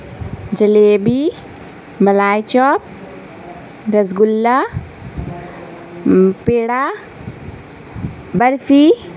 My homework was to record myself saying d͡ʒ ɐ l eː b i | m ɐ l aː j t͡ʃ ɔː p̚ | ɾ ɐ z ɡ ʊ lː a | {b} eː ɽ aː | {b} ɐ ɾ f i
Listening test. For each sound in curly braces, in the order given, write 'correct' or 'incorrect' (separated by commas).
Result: incorrect, correct